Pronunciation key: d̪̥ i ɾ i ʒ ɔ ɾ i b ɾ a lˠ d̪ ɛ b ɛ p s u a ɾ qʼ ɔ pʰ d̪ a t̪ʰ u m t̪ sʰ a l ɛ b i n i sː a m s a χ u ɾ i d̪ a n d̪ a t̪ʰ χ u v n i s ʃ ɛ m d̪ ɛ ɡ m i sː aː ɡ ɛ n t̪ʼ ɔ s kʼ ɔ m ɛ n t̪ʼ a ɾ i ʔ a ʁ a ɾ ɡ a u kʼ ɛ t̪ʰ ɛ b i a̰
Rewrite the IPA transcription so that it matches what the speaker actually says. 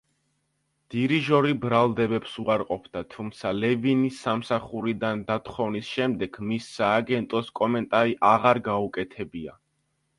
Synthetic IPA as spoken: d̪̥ i ɾ i ʒ ɔ ɾ i b ɾ a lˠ d̪ ɛ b ɛ p s u a ɾ qʼ ɔ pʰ d̪ a t̪ʰ u m t̪ sʰ a l ɛ v i n i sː a m s a χ u ɾ i d̪ a n d̪ a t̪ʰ χ ɔ v n i s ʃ ɛ m d̪ ɛ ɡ m i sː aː ɡ ɛ n t̪ʼ ɔ s kʼ ɔ m ɛ n t̪ʼ a ɾ i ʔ a ʁ a ɾ ɡ a u kʼ ɛ t̪ʰ ɛ b i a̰

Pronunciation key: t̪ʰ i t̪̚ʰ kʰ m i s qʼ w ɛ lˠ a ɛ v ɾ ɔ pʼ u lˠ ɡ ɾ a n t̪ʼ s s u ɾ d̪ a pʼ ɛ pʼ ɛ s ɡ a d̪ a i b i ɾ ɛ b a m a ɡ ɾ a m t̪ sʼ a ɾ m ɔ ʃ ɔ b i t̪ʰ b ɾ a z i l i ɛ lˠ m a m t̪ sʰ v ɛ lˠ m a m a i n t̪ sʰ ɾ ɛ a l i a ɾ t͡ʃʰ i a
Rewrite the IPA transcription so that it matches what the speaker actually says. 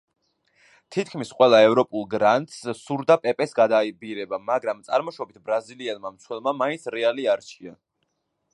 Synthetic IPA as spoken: t̪ʰ i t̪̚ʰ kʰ m i s qʼ w ɛ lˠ a ɛ v ɾ ɔ pʼ u lˠ ɡ ɾ a n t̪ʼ s s u ɾ d̪ a pʼ ɛ pʼ ɛ s ɡ a d̪ a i b i ɾ ɛ b a m a ɡ ɾ a m t̪ sʼ a ɾ m ɔ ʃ ɔ b i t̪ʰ b ɾ a z i l i ɛ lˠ m a m t̪ sʰ w ɛ lˠ m a m a i n t̪ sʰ ɾ ɛ a l i a ɾ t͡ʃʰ i a

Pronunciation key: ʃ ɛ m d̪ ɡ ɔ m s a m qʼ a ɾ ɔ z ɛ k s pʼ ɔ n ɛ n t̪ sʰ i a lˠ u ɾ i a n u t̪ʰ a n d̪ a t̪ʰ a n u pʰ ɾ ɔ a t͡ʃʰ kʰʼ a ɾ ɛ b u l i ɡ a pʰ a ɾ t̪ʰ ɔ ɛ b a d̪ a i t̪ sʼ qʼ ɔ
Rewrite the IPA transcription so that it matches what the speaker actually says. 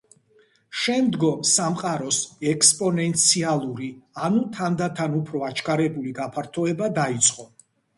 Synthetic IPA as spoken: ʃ ɛ m d̪ ɡ ɔ m s a m qʼ a ɾ ɔ s ɛ k s pʼ ɔ n ɛ n t̪ sʰ i a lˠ u ɾ i a n u t̪ʰ a n d̪ a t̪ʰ a n u pʰ ɾ ɔ a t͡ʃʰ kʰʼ a ɾ ɛ b u l i ɡ a pʰ a ɾ t̪ʰ ɔ ɛ b a d̪ a i t̪ sʼ qʼ ɔ

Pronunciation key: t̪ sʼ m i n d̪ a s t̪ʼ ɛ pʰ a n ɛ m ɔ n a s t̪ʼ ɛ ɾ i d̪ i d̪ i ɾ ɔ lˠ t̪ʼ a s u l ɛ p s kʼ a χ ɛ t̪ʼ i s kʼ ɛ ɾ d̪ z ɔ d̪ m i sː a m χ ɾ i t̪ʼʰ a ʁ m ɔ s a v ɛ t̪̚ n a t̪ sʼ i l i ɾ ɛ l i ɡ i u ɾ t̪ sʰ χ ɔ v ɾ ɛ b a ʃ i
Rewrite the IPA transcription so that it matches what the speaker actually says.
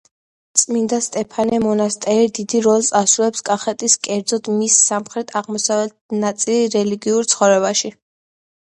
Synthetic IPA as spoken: t̪ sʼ m i n d̪ a s t̪ʼ ɛ pʰ a n ɛ m ɔ n a s t̪ʼ ɛ ɾ i d̪ i d̪ i ɾ ɔ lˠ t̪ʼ a s u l ɛ p s kʼ a χ ɛ t̪ʼ i s kʼ ɛ ɾ d̪ z ɔ d̪ m i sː a m χ ɾ ɛ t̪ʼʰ a ʁ m ɔ s a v ɛ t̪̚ n a t̪ sʼ i l i ɾ ɛ l i ɡ i u ɾ t̪ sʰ χ ɔ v ɾ ɛ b a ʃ i

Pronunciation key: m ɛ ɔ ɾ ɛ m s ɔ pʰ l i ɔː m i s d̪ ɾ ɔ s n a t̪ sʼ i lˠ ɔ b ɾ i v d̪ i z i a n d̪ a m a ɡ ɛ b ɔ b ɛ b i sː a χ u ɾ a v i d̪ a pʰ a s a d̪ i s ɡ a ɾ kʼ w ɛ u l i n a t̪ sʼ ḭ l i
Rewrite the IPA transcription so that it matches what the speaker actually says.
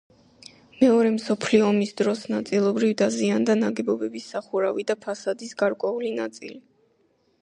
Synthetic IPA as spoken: m ɛ ɔ ɾ ɛ m s ɔ pʰ l i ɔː m i s d̪ ɾ ɔ s n a t̪ sʼ i lˠ ɔ b ɾ i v d̪ a z i a n d̪ a n a ɡ ɛ b ɔ b ɛ b i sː a χ u ɾ a v i d̪ a pʰ a s a d̪ i s ɡ a ɾ kʼ w ɛ u l i n a t̪ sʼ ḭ l i

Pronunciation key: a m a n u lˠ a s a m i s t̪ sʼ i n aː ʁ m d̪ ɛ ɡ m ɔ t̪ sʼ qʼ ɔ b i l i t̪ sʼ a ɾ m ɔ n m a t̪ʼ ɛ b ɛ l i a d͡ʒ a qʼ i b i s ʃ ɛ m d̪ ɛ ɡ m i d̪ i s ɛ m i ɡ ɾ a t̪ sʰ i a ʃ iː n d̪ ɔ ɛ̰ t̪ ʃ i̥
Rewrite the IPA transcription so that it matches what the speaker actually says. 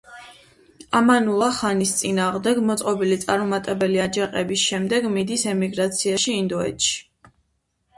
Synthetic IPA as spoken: a m a n u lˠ a χ a n i s t̪ sʼ i n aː ʁ m d̪ ɛ ɡ m ɔ t̪ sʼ qʼ ɔ b i l i t̪ sʼ a ɾ m ɔ m a t̪ʼ ɛ b ɛ l i a d͡ʒ a qʼ ɛ b i s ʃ ɛ m d̪ ɛ ɡ m i d̪ i s ɛ m i ɡ ɾ a t̪ sʰ i a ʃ iː n d̪ ɔ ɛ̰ t̪ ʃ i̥

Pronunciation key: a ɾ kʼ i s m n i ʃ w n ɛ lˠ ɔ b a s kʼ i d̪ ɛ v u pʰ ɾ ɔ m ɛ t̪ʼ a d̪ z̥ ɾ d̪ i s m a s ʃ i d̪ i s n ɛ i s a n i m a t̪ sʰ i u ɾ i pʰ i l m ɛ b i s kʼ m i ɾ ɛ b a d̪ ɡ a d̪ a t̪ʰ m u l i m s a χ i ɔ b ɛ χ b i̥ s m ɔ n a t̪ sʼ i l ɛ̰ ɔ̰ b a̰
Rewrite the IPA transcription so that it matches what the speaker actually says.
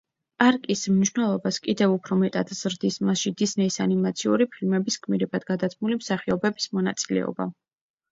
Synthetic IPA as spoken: a ɾ kʼ i s m n i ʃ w n ɛ lˠ ɔ b a s kʼ i d̪ ɛ v u pʰ ɾ ɔ m ɛ t̪ʼ a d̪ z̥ ɾ d̪ i s m a s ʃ i d̪ i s n ɛ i s a n i m a t̪ sʰ i u ɾ i pʰ i l m ɛ b i s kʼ m i ɾ ɛ b a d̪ ɡ a d̪ a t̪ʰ m u l i m s a χ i ɔ b ɛ b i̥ s m ɔ n a t̪ sʼ i l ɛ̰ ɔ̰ b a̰

